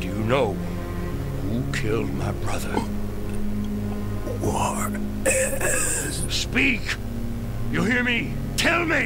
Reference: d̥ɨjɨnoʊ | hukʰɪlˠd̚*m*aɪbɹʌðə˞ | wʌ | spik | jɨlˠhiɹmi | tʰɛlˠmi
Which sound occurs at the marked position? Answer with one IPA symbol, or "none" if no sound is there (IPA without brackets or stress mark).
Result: m